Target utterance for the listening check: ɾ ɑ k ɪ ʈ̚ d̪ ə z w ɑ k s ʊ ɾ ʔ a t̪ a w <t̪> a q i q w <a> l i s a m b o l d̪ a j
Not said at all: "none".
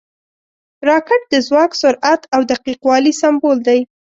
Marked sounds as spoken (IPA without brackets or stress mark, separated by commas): d̪, ɑ